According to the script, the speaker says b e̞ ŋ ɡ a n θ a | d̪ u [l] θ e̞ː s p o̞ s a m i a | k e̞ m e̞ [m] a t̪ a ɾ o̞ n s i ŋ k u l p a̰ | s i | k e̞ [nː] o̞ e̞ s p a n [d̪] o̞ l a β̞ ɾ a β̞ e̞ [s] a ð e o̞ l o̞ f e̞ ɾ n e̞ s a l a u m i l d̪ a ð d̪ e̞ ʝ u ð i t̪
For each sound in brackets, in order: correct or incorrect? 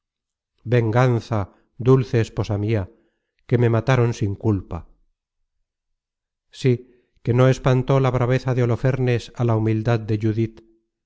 correct, correct, incorrect, incorrect, incorrect

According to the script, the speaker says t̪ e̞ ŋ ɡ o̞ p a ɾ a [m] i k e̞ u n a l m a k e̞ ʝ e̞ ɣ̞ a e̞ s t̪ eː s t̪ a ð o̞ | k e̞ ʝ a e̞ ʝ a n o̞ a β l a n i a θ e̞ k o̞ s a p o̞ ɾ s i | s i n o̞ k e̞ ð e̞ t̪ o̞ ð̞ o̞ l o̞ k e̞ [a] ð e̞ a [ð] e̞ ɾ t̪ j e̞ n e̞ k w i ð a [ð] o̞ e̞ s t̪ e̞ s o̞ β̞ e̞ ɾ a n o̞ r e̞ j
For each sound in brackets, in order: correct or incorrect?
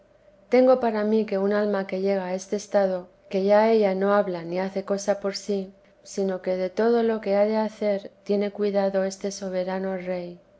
correct, correct, incorrect, correct

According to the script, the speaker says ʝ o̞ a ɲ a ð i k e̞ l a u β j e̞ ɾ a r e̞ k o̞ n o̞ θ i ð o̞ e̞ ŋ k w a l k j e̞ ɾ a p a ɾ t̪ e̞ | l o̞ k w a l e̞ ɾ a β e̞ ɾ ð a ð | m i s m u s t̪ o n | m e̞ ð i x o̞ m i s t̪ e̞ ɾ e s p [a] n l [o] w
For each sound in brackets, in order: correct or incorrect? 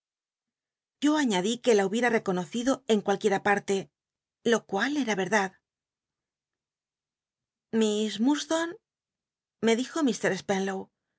incorrect, correct

